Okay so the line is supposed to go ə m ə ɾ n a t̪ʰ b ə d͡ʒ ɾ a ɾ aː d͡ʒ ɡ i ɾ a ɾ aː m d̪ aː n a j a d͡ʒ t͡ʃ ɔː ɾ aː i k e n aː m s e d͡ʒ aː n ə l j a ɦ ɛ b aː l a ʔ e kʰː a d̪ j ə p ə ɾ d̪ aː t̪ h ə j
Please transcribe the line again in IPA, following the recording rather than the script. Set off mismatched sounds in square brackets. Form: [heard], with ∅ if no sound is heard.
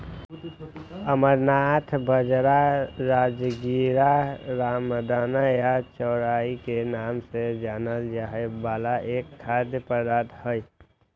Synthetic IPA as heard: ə m ə ɾ n a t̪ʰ b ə d͡ʒ ɾ a ɾ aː d͡ʒ ɡ i ɾ a ɾ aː m d̪ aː n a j a [∅] t͡ʃ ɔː ɾ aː i k e n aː m s e d͡ʒ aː n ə l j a ɦ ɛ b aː l a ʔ e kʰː a d̪ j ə p ə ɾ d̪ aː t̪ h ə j